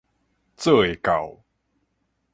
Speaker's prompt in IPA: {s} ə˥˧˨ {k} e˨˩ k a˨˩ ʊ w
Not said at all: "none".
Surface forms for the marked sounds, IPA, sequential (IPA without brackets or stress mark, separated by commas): t͡s, none